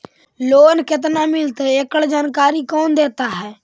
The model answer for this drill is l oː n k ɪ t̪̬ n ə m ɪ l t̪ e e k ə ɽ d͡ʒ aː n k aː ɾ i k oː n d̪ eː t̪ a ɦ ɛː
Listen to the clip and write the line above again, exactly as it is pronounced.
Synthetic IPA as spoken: l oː n k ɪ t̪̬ n a m ɪ l t̪ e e k ə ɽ d͡ʒ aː n k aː ɾ i k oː n d̪ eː t̪ a ɦ ɛː